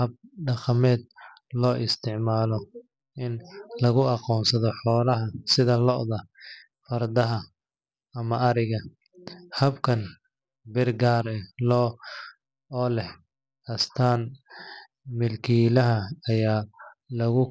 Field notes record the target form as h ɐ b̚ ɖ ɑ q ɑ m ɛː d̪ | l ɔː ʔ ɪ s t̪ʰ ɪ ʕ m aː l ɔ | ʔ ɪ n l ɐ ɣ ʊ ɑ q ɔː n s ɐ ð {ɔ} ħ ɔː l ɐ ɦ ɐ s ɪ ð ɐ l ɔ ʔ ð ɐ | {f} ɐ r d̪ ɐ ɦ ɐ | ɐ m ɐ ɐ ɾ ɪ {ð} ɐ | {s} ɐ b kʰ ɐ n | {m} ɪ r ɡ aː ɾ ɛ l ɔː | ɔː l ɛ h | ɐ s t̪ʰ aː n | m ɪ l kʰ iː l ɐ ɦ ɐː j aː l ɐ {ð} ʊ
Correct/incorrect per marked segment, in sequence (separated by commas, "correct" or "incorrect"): correct, correct, incorrect, incorrect, incorrect, incorrect